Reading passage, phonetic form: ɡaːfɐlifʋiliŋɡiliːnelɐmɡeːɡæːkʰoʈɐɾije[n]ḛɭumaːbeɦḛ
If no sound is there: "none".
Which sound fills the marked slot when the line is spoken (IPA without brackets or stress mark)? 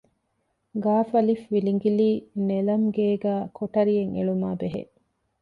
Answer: ŋ